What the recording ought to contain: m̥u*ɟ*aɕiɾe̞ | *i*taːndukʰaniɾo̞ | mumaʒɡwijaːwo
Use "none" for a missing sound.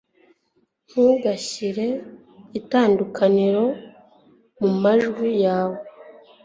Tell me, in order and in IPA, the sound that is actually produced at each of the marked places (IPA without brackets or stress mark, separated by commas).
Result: ɡ, i